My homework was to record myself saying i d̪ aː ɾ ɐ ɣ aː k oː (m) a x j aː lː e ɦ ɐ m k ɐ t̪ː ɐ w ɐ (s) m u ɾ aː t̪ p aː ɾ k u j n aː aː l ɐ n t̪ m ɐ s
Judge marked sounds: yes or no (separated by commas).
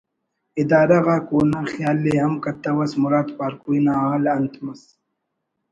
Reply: no, yes